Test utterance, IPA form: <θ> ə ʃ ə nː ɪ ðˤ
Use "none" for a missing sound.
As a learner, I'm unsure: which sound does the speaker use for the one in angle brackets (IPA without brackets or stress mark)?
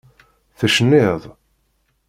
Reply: θ